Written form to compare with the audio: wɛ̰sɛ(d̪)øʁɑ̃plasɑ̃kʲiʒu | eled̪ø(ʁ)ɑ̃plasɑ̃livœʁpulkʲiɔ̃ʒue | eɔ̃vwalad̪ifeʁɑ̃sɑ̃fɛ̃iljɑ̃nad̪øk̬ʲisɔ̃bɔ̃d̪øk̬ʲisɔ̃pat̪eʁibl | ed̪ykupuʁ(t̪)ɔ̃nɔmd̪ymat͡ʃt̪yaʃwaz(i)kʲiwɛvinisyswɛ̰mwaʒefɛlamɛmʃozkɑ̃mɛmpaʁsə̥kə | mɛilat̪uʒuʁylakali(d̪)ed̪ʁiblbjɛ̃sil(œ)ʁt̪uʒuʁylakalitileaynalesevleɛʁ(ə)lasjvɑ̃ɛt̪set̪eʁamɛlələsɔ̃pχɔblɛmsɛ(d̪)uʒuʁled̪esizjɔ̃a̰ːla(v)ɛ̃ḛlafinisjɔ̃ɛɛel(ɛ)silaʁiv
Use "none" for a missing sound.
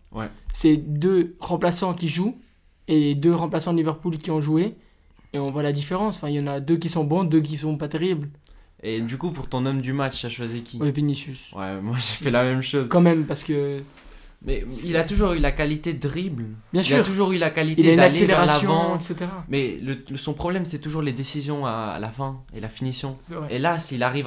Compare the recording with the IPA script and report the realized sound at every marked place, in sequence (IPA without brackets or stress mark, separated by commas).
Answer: d̪, ʁ, t̪, i, t̪, y, a, t̪, f, a